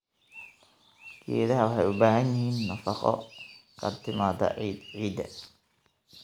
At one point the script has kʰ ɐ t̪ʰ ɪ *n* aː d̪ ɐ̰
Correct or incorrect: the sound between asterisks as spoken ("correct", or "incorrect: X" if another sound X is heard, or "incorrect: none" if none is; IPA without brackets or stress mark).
incorrect: m